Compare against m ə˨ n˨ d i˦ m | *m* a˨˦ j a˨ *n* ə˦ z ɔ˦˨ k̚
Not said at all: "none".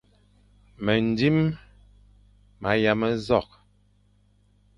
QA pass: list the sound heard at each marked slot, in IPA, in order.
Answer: m, m

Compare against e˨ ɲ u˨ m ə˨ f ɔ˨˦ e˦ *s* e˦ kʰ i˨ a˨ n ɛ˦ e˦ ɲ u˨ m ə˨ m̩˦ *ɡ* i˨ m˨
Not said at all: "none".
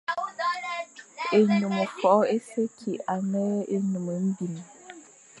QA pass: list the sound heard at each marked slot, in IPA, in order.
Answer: s, b

